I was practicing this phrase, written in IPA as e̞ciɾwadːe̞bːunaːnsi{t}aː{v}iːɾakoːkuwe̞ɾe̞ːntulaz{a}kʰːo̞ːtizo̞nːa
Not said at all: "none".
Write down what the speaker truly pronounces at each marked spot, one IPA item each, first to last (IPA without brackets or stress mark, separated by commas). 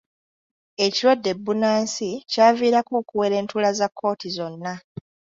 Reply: c, v, a